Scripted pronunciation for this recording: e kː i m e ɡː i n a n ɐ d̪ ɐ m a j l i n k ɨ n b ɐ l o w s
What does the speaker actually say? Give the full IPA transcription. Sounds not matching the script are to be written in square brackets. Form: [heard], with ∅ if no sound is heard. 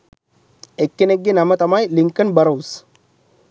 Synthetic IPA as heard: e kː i [n] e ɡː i n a [m] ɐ [t̪] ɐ m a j l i [ŋ] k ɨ n b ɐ [ɾ] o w s